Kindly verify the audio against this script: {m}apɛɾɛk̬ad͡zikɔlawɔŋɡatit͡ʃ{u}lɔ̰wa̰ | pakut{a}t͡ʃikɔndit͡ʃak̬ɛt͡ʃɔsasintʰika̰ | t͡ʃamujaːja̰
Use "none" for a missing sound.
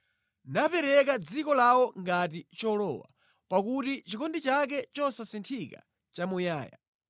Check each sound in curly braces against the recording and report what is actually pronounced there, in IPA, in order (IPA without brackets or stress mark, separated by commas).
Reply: n, ɔ, i